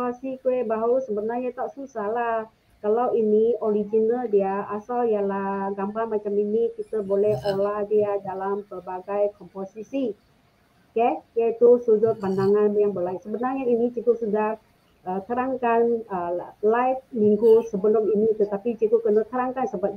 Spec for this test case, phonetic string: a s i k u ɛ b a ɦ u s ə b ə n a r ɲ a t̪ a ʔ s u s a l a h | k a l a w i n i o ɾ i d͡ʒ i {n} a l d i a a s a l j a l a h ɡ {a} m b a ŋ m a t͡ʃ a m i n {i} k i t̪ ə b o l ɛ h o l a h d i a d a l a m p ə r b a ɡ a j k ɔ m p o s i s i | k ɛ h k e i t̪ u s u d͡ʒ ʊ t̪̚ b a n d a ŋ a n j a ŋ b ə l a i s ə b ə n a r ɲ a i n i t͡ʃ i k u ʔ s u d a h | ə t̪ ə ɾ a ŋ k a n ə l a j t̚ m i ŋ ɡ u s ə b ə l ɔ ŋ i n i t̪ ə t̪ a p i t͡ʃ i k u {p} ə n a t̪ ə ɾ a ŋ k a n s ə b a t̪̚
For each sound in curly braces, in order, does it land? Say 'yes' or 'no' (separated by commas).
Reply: yes, yes, yes, no